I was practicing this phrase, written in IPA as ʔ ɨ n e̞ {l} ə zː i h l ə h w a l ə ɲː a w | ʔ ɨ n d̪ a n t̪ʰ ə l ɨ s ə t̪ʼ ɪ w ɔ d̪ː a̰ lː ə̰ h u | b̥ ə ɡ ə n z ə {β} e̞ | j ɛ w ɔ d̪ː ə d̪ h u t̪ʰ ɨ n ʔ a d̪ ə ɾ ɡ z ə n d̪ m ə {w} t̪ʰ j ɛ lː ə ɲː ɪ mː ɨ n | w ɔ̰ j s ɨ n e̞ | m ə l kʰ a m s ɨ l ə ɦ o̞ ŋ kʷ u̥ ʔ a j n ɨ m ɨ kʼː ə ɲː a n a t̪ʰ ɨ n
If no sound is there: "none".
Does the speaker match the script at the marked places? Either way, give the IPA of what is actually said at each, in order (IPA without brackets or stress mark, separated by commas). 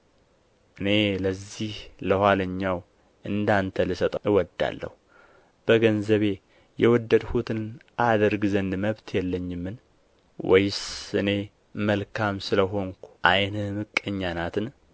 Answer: l, β, β